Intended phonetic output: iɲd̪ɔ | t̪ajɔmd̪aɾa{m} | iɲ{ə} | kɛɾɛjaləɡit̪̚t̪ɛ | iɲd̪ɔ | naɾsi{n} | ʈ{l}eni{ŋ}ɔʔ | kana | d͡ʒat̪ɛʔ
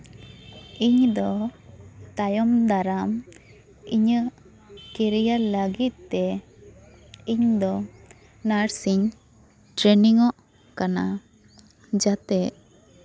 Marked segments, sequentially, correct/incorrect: correct, correct, incorrect: ɲ, incorrect: ɾ, correct

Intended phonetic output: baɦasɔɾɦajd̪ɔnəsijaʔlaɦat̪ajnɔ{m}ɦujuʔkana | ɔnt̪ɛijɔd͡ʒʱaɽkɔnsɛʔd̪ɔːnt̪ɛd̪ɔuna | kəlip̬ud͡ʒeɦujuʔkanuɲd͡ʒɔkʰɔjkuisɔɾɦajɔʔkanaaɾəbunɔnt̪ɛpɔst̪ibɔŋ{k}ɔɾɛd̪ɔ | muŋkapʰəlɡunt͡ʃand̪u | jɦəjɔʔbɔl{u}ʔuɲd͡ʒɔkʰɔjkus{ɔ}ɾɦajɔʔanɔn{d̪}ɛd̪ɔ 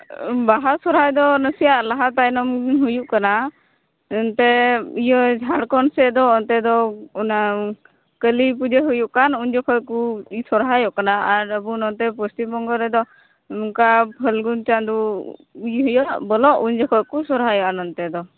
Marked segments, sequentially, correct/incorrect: correct, incorrect: ɡ, incorrect: ɔ, correct, incorrect: t̪

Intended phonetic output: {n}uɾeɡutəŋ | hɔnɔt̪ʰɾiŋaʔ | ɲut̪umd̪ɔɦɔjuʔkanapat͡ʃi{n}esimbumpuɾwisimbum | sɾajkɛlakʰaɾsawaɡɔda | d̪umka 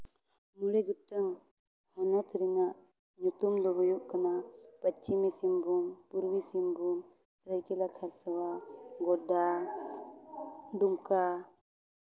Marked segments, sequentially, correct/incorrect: incorrect: m, incorrect: m

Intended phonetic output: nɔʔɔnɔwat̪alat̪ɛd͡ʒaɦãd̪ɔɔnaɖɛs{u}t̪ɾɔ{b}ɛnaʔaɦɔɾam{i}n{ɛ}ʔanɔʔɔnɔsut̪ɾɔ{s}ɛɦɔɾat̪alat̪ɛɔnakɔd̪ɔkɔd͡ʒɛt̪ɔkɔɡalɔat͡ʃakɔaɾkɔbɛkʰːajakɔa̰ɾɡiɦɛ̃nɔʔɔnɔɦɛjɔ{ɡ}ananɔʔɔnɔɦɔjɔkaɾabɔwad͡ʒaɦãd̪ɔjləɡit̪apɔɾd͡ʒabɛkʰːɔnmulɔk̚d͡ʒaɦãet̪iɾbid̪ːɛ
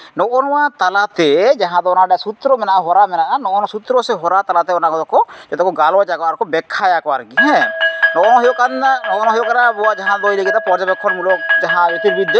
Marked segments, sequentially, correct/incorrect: correct, incorrect: m, incorrect: ɛ, incorrect: a, correct, incorrect: k

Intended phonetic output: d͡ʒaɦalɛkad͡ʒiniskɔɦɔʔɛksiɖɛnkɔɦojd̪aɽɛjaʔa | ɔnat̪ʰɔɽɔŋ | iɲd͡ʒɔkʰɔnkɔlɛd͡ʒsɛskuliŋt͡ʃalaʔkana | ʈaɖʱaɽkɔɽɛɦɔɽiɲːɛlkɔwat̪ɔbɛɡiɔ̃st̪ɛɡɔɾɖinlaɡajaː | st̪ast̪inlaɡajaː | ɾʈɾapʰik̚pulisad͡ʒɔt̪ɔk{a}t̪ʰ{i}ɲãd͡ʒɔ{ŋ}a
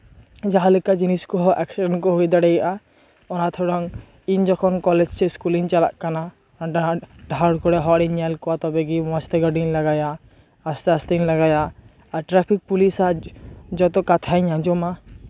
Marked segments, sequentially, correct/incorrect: correct, incorrect: a, incorrect: m

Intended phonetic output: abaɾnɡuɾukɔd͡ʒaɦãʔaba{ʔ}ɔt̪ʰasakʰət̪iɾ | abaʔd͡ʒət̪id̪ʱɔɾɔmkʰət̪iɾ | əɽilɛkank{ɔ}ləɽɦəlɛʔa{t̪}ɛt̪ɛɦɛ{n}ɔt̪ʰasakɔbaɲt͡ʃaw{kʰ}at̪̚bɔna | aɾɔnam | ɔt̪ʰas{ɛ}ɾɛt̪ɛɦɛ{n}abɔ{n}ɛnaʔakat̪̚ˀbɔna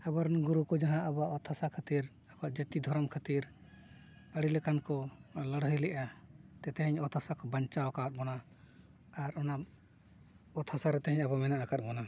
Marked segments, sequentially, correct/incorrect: correct, correct, correct, incorrect: ɲ, incorrect: k, incorrect: a, incorrect: ɲ, incorrect: m

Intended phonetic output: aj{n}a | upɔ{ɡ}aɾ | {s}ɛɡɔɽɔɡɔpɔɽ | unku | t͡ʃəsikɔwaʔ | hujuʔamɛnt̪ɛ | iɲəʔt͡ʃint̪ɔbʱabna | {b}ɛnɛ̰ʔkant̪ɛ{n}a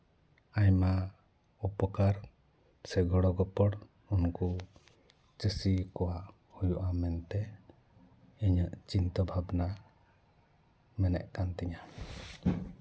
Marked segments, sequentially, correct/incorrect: incorrect: m, incorrect: k, correct, incorrect: m, incorrect: ɲ

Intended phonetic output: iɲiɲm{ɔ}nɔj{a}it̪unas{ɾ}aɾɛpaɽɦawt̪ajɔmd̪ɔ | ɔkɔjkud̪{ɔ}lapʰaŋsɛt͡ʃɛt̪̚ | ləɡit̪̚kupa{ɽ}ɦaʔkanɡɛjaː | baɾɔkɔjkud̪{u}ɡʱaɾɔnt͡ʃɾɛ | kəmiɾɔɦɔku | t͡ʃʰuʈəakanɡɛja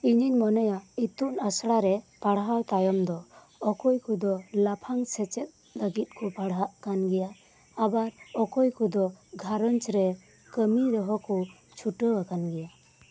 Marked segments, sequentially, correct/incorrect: correct, correct, incorrect: ɽ, correct, correct, incorrect: ɔ

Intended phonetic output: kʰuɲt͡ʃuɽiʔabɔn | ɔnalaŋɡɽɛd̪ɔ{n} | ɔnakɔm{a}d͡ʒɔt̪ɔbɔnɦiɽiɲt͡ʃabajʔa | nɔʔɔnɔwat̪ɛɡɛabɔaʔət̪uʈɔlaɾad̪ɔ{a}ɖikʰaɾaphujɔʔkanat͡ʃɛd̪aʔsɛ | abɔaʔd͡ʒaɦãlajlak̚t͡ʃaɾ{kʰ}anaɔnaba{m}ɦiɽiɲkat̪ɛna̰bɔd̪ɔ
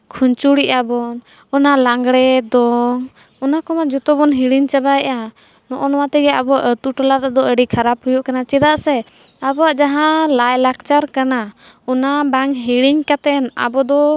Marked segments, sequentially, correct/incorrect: incorrect: ŋ, correct, incorrect: ə, incorrect: k, incorrect: ŋ

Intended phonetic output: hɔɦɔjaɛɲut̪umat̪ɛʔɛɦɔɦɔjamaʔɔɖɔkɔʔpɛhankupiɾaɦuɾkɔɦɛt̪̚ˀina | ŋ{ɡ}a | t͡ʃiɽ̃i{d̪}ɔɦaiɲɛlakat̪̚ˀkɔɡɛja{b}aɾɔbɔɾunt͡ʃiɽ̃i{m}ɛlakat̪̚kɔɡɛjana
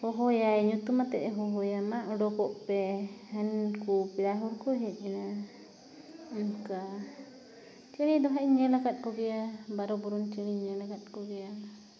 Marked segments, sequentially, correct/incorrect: incorrect: k, correct, correct, incorrect: ɲ

